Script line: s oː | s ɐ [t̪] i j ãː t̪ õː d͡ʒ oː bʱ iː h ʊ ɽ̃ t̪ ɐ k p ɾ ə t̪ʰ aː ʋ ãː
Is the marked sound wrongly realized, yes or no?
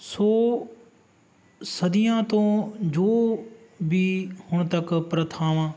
yes